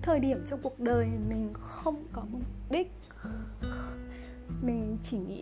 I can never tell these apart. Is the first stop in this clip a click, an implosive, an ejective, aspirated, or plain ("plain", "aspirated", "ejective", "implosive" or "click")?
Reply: aspirated